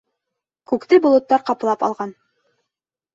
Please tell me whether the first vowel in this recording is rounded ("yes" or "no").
yes